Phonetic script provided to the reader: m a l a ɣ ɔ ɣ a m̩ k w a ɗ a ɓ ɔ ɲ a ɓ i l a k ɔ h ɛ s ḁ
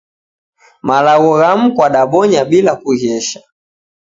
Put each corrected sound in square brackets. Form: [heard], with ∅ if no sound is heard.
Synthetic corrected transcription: m a l a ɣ ɔ ɣ a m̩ k w a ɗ a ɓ ɔ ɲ a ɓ i l a k [u] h ɛ [ʃ] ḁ